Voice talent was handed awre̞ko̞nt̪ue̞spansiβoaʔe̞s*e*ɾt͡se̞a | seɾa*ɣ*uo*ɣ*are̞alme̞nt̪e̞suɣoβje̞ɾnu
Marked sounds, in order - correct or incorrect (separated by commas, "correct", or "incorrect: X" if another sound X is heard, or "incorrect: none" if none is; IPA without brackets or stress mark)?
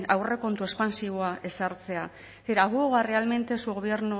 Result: incorrect: a, correct, correct